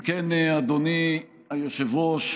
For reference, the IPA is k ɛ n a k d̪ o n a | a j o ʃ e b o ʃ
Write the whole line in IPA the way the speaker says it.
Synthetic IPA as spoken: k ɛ n a d̪ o n i | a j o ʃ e v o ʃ